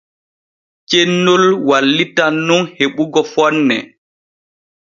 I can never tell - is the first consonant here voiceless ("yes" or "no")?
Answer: yes